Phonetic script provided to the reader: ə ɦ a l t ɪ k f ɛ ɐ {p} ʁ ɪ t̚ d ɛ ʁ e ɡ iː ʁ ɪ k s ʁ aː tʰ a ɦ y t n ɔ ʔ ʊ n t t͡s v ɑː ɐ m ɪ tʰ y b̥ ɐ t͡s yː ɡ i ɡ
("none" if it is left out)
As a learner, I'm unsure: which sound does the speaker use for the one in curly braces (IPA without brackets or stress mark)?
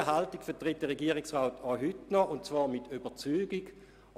t